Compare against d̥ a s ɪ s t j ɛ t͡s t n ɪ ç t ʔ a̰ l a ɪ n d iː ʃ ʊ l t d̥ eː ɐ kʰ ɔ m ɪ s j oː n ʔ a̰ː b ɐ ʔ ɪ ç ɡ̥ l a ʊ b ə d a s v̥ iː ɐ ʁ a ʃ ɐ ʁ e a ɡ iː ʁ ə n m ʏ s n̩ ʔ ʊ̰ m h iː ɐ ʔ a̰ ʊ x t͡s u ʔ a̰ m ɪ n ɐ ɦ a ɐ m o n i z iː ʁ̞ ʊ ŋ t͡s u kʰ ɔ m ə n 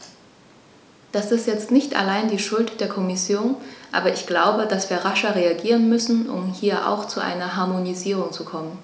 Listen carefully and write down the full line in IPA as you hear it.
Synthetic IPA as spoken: d̥ a s ɪ s t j ɛ t͡s t n ɪ ç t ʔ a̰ l a ɪ n d iː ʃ ʊ l t d̥ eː ɐ kʰ ɔ m ɪ s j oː n ʔ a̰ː b ɐ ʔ ɪ ç ɡ̥ l a ʊ b ə d a s v̥ iː ɐ ʁ a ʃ ɐ ʁ e a ɡ iː ʁ ə n m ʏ s n̩ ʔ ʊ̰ m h iː ɐ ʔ a̰ ʊ x t͡s u ʔ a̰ ɪ n ɐ ɦ a ɐ m o n i z iː ʁ̞ ʊ ŋ t͡s u kʰ ɔ m ə n